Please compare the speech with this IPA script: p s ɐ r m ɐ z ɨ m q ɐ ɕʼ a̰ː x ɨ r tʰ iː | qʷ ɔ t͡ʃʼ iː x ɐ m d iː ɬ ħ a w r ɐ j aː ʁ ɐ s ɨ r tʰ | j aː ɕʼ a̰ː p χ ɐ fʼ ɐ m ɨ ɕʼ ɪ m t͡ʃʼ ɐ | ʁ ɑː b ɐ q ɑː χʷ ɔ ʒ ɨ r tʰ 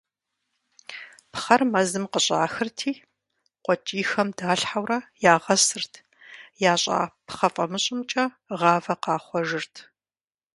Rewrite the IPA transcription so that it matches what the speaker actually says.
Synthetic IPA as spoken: p χ ɐ r m ɐ z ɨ m q ə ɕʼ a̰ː x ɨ r tʰ iː | qʷ ɔ t͡ʃʼ iː x ɐ m d aː ɬ ħ a w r ɐ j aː ʁ ɐ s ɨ r tʰ | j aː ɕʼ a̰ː p χ ɐ fʼ ɐ m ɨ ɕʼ ɪ m t͡ʃʼ ɐ | ʁ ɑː v ɐ q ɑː χʷ ɔ ʒ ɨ r tʰ

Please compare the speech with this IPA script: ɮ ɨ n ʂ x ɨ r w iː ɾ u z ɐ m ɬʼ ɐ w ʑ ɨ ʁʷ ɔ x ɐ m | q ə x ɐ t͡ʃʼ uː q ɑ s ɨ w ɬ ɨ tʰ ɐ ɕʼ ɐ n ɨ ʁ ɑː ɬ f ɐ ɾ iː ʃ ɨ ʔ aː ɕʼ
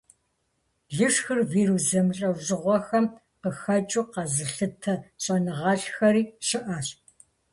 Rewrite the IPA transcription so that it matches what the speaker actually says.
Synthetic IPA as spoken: ɮ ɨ ʂ x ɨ r v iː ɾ u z ɐ m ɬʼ ɐ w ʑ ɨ ʁʷ ɔ x ɐ m | q ə x ɐ t͡ʃʼ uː q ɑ z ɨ ɬ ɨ tʰ ɐ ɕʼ ɐ n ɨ ʁ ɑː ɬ x ɐ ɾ iː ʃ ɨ ʔ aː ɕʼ

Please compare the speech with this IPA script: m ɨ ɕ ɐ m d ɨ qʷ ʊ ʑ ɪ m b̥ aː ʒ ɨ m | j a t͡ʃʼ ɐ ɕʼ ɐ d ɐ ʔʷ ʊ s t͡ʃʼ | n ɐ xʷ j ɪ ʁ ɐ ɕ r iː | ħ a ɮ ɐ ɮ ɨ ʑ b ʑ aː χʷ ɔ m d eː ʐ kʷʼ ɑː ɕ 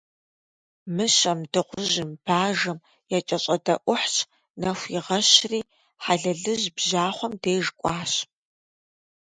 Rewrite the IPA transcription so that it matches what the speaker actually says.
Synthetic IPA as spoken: m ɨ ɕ ɐ m d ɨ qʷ ʊ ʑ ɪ m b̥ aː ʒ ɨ m | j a t͡ʃʼ ɐ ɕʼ ɐ d ɐ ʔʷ ʊ ħ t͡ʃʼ | n ɐ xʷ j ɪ ʁ ɐ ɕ r iː | ħ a ɮ ɐ ɮ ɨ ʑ b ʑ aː χʷ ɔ m d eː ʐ kʷʼ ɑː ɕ

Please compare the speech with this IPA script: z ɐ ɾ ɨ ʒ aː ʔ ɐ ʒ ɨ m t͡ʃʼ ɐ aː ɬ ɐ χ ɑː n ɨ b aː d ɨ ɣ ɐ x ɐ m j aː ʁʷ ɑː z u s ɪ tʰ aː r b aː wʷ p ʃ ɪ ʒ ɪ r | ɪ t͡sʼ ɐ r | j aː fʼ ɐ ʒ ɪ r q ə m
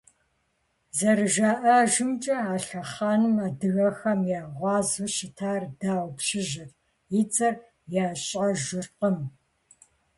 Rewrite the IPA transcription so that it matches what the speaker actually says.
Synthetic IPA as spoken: z ɐ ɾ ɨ ʒ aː ʔ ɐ ʒ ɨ m t͡ʃʼ ɐ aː ɬ ɐ χ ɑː n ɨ m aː d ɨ ɣ ɐ x ɐ m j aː ʁʷ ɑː z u ʃ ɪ tʰ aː r d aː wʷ p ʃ ɪ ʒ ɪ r | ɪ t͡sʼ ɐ r | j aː ɕʼ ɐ ʒ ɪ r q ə m

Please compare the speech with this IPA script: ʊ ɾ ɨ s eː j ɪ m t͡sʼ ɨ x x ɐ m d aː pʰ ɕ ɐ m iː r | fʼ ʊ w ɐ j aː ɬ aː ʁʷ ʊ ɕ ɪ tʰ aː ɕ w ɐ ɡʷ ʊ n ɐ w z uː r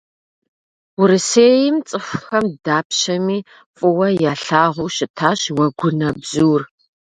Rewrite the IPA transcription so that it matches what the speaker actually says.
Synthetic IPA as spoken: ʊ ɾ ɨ s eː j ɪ m t͡sʼ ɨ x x ɐ m d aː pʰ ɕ ɐ m iː | fʼ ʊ w ɐ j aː ɬ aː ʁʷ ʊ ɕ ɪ tʰ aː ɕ w ɐ ɡʷ ʊ n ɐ b z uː r

